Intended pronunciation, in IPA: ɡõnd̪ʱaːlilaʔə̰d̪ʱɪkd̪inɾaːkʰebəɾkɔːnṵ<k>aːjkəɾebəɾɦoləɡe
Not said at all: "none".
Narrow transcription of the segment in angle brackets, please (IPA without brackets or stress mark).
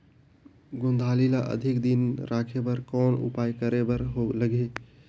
p